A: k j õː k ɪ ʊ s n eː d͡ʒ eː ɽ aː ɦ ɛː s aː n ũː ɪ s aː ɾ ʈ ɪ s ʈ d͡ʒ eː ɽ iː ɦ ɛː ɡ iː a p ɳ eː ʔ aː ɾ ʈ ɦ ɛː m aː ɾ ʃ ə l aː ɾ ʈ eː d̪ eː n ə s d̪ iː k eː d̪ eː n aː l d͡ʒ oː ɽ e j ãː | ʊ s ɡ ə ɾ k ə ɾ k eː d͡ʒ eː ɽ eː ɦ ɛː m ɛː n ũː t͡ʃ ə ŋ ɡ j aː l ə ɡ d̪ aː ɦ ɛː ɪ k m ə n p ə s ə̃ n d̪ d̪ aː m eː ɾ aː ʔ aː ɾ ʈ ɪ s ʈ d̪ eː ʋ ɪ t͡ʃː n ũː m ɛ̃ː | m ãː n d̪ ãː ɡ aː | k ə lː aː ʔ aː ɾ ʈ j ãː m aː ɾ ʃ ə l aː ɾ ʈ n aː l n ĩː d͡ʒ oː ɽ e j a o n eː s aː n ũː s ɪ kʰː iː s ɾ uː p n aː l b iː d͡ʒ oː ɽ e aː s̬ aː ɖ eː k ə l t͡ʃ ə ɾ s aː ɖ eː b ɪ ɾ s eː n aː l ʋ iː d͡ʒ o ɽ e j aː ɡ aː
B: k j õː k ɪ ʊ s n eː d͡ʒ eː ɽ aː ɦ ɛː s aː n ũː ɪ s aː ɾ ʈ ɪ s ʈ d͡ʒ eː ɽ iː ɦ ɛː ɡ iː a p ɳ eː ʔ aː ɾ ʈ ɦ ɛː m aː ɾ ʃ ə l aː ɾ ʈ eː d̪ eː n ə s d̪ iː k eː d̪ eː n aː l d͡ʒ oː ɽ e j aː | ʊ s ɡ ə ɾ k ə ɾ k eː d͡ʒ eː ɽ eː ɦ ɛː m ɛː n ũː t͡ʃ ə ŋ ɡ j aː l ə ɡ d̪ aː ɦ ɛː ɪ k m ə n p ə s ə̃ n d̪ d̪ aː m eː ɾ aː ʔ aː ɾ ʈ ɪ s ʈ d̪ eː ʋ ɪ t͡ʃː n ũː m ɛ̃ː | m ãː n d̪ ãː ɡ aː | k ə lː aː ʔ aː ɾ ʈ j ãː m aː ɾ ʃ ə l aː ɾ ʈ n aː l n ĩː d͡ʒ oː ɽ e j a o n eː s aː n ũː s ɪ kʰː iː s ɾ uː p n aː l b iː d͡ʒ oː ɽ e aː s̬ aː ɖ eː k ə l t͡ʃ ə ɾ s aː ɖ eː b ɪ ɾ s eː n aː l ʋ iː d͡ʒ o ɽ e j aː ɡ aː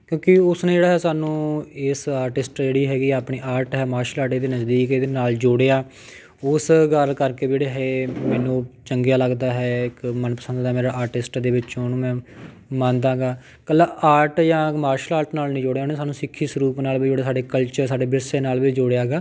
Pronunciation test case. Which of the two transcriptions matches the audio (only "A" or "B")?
B